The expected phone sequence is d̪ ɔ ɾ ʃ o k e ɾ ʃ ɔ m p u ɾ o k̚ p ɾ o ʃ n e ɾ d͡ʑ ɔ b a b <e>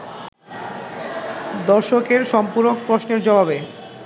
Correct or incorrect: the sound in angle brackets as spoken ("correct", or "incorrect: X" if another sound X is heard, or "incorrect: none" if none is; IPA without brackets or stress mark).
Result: correct